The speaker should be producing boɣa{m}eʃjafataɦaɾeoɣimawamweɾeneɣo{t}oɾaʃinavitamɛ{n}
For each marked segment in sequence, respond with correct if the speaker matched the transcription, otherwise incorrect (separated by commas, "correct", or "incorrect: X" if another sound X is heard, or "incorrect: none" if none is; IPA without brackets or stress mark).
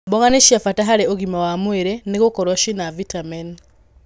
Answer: incorrect: n, incorrect: k, correct